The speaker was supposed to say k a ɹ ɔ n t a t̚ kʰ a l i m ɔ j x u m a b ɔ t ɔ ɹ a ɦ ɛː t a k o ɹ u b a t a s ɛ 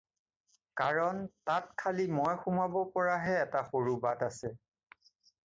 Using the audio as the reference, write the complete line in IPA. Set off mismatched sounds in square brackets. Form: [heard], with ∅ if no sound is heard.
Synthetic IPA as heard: k a ɹ ɔ n t a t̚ kʰ a l i m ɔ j x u m a b ɔ [p] ɔ ɹ a ɦ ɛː t a [x] o ɹ u b a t a s ɛ